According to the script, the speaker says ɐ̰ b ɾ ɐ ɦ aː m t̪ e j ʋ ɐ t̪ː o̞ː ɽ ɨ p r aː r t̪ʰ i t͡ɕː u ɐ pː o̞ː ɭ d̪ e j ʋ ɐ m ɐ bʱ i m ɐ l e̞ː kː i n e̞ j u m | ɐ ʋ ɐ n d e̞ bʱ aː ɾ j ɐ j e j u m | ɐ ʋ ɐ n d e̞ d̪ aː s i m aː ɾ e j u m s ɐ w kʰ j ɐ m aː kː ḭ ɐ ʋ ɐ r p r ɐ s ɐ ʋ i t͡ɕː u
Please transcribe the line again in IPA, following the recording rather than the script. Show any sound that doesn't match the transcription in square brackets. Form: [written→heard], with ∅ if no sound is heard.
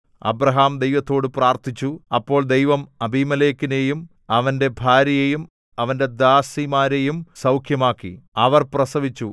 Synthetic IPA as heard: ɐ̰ b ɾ ɐ ɦ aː m [t̪→d̪] e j ʋ ɐ t̪ː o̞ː ɽ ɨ p r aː r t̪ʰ i t͡ɕː u ɐ pː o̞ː ɭ d̪ e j ʋ ɐ m ɐ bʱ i m ɐ l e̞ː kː i n e̞ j u m | ɐ ʋ ɐ n d e̞ bʱ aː ɾ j ɐ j e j u m | ɐ ʋ ɐ n d e̞ d̪ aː s i m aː ɾ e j u m s ɐ w kʰ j ɐ m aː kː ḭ ɐ ʋ ɐ r p r ɐ s ɐ ʋ i t͡ɕː u